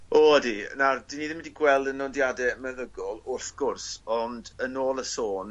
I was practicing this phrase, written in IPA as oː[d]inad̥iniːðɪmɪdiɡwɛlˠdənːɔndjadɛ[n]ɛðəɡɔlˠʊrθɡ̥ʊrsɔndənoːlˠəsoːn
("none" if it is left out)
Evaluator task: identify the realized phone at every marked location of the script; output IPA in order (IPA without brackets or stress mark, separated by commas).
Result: d, m